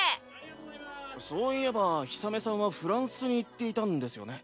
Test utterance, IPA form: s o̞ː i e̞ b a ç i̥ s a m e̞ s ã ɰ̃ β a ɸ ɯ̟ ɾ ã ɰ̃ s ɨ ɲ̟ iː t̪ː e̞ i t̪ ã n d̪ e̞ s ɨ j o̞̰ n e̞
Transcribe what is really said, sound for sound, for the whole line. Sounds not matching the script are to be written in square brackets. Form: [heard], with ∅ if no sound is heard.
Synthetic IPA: s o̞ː i e̞ b a ç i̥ s a m e̞ s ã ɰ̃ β a ɸ ɯ̟ ɾ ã ɰ̃ s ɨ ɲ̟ iː t̪ː e̞ i t̪ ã n d̪ e̞ s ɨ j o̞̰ n e̞

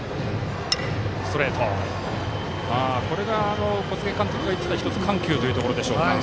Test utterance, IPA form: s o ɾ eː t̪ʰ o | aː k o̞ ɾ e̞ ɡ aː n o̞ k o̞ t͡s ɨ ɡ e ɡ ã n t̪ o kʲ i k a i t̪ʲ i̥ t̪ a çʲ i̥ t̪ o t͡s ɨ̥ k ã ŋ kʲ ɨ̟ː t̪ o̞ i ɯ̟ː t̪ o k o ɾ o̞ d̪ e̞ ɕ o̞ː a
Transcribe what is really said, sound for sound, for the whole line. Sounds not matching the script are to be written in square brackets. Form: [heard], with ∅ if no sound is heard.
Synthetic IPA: s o ɾ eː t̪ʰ o | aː k o̞ ɾ e̞ ɡ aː n o̞ k o̞ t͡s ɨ ɡ e [k] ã n t̪ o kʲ i [ɡ] a i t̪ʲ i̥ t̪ a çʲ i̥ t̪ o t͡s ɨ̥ k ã ŋ kʲ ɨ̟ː t̪ o̞ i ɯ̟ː t̪ o k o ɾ o̞ d̪ e̞ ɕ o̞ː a

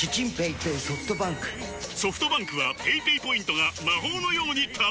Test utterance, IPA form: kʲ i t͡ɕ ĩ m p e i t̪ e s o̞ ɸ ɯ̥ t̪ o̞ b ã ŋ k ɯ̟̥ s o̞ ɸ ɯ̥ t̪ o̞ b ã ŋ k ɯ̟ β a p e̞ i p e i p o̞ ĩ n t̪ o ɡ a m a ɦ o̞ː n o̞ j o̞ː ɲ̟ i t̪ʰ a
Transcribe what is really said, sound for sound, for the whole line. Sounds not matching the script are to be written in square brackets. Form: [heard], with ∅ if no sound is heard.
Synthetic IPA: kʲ i t͡ɕ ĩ m p e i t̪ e s o̞ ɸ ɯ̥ t̪ o̞ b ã ŋ k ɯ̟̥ s o̞ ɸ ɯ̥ t̪ o̞ b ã ŋ k ɯ̟ β a p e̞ i p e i p o̞ ĩ n t̪ o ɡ a m a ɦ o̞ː n o̞ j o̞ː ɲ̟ i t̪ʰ a

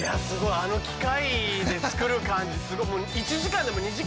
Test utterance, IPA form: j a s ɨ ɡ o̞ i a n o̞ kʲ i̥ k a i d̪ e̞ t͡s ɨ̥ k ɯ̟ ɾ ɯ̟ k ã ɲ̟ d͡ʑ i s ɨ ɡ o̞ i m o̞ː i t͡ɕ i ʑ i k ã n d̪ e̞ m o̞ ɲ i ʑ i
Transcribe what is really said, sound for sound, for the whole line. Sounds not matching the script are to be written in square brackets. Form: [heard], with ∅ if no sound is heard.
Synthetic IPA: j a s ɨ ɡ o̞ i a n o̞ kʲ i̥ k a i d̪ e̞ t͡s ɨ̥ k ɯ̟ ɾ ɯ̟ k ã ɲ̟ d͡ʑ i s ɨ ɡ o̞ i m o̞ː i t͡ɕ i ʑ i k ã n d̪ e̞ m o̞ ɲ i ʑ i

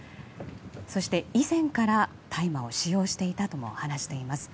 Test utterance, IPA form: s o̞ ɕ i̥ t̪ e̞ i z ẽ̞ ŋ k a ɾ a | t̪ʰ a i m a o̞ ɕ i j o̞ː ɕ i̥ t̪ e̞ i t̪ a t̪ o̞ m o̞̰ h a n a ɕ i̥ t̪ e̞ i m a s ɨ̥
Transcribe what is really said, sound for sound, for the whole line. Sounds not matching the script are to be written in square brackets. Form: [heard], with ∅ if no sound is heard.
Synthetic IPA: s o̞ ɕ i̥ t̪ e̞ i z ẽ̞ ŋ k a ɾ a | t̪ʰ a i m a o̞ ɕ i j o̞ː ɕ i̥ t̪ e̞ i t̪ a t̪ o̞ m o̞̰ h a n a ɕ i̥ t̪ e̞ i m a s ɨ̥

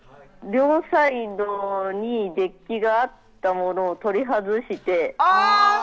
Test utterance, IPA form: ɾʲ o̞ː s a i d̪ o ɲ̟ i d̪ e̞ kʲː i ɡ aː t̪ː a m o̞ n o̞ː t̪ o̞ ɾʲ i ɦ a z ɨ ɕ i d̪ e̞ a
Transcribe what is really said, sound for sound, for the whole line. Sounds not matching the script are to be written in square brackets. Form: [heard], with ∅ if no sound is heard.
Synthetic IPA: ɾʲ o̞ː s a i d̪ o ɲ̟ i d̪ e̞ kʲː i ɡ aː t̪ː a m o̞ n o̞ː t̪ o̞ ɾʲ i ɦ a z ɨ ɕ i [t̪] e̞ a

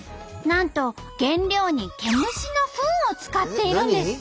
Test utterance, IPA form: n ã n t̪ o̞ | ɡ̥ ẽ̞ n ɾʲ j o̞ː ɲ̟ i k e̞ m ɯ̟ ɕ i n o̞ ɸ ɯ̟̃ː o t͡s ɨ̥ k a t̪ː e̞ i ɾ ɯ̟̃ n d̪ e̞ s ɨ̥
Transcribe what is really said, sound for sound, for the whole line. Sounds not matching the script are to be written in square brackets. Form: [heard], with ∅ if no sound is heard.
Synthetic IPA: n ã n t̪ o̞ | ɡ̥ ẽ̞ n ɾʲ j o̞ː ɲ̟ i k e̞ m ɯ̟ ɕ i n o̞ ɸ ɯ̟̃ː o t͡s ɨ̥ k a t̪ː e̞ i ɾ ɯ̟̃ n d̪ e̞ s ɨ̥

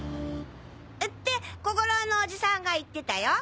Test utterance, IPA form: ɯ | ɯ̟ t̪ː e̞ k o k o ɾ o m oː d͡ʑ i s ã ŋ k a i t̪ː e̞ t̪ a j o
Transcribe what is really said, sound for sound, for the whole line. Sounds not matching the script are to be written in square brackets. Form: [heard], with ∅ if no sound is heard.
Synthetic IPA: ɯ | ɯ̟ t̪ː e̞ k o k o ɾ o [n] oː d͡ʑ i s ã ŋ [ɡ] a i t̪ː e̞ t̪ a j o

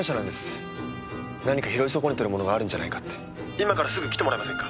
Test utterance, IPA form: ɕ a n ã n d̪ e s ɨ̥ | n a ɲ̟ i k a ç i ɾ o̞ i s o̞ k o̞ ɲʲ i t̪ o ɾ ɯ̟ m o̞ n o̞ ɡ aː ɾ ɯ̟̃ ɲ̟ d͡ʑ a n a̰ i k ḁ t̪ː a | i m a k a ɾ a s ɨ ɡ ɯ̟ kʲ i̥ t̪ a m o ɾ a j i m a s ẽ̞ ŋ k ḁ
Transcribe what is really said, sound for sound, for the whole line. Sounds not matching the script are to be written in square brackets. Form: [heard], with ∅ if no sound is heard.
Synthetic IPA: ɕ a n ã n d̪ e s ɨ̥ | n a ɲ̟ i k a ç i ɾ o̞ i s o̞ k o̞ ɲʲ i t̪ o ɾ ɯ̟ m o̞ n o̞ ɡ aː ɾ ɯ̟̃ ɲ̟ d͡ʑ a n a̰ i k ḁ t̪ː [e] | i m a k a ɾ a s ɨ ɡ ɯ̟ kʲ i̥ t̪ [e] m o ɾ a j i m a s ẽ̞ ŋ k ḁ

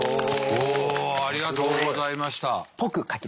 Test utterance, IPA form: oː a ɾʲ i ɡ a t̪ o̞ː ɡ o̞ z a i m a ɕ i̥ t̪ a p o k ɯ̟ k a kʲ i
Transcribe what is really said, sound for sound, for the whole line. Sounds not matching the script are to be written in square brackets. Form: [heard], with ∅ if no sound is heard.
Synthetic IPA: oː a ɾʲ i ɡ a t̪ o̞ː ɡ o̞ z a i m a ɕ i̥ t̪ a p o k ɯ̟ k a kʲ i

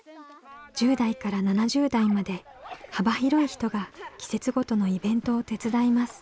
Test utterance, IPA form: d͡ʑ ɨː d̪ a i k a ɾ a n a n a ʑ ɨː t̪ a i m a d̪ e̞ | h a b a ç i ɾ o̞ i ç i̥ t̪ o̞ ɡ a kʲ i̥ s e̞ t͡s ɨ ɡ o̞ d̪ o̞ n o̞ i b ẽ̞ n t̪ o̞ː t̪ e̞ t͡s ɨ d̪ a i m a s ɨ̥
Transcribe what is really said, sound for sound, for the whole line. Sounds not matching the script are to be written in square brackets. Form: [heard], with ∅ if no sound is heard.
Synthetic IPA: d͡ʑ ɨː d̪ a i k a ɾ a n a n a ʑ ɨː [d̪] a i m a d̪ e̞ | h a b a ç i ɾ o̞ i ç i̥ t̪ o̞ ɡ a kʲ i̥ s e̞ t͡s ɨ ɡ o̞ [t̪] o̞ n o̞ i b ẽ̞ n t̪ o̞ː t̪ e̞ t͡s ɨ d̪ a i m a s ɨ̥

